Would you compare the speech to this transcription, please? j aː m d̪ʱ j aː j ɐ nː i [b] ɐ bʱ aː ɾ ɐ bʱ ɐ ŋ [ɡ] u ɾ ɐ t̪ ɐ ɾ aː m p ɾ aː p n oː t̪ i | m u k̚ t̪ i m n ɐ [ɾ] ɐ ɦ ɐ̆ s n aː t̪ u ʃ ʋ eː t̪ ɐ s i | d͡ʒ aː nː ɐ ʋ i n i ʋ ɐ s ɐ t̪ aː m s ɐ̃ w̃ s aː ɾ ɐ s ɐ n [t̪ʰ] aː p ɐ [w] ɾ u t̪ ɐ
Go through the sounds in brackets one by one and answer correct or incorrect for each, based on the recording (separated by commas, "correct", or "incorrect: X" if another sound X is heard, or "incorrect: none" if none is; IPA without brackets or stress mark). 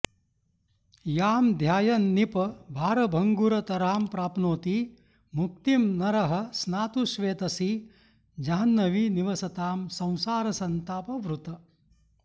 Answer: incorrect: p, correct, correct, incorrect: t̪, incorrect: ʋ